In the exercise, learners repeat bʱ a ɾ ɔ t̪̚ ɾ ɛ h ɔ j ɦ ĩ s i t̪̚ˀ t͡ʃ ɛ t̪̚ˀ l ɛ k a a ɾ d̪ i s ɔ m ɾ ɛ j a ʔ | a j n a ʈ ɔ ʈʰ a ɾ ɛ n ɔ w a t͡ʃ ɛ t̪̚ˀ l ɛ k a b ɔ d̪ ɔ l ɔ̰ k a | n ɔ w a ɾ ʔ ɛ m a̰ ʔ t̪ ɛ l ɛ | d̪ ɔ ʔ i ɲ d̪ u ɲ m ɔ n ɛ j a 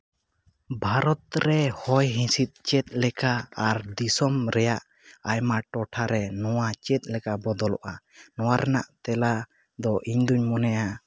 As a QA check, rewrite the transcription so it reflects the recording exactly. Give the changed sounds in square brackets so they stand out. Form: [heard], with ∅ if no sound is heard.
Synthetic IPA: bʱ a ɾ ɔ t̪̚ ɾ ɛ h ɔ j ɦ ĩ s i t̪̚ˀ t͡ʃ ɛ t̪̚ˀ l ɛ k a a ɾ d̪ i s ɔ m ɾ ɛ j a ʔ | a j [m] a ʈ ɔ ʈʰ a ɾ ɛ n ɔ w a t͡ʃ ɛ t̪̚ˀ l ɛ k a b ɔ d̪ ɔ l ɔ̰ [ʔ] a | n ɔ w a ɾ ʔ ɛ [n] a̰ ʔ t̪ ɛ l [a] | d̪ ɔ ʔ i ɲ d̪ u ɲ m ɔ n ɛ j a